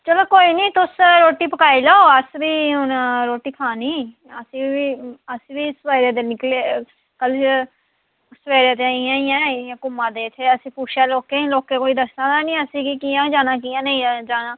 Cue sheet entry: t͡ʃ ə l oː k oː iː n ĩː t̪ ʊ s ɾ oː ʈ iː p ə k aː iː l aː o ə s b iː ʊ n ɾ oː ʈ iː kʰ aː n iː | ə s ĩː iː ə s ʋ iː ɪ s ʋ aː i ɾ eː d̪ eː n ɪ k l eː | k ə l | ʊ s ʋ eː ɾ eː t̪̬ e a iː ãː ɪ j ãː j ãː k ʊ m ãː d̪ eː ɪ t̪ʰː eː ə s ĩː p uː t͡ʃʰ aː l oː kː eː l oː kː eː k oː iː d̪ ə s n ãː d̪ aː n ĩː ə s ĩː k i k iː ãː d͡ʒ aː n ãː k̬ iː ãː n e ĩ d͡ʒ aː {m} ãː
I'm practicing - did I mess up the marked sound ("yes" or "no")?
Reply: yes